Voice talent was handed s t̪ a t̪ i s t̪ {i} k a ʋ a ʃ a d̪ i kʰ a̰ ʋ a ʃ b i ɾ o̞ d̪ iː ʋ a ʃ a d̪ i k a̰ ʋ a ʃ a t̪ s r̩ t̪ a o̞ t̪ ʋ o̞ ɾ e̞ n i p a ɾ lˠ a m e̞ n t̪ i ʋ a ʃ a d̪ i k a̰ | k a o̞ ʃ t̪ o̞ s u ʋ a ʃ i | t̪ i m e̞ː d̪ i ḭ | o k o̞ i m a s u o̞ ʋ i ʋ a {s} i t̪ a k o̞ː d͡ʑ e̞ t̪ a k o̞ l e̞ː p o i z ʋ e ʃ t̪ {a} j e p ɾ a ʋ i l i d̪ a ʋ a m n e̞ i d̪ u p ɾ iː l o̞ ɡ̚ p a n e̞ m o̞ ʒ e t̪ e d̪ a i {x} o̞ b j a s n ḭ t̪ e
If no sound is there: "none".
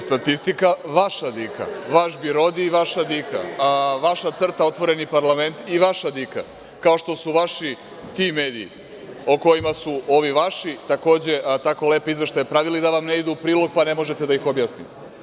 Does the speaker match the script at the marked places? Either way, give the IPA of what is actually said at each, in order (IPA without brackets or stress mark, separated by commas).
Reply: i, ʃ, a, x